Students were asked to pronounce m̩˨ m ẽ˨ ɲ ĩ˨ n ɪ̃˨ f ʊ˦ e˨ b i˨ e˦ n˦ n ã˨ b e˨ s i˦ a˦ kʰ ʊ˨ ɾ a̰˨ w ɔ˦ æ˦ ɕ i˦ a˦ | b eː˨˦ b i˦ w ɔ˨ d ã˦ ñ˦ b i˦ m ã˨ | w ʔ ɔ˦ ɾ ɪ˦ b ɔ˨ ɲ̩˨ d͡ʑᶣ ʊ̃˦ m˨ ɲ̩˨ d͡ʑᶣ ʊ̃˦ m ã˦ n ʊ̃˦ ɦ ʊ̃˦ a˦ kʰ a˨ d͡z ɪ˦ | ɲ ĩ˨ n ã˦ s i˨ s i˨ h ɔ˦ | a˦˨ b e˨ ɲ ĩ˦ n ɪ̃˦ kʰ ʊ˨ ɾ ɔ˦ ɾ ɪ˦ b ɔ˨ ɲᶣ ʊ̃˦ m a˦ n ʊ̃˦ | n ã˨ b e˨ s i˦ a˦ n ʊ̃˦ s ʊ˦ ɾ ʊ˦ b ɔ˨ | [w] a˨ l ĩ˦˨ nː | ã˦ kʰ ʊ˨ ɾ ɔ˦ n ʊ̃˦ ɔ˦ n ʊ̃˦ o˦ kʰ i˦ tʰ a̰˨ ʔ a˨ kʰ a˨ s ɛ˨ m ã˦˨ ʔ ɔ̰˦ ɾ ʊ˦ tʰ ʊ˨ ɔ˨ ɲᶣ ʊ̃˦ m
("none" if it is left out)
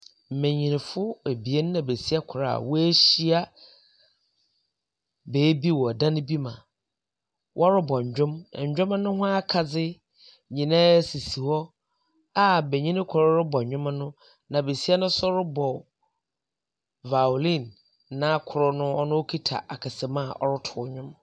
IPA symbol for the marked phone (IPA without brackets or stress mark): v